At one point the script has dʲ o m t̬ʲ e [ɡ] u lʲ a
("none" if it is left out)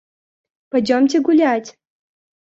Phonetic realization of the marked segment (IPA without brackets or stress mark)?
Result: ɡ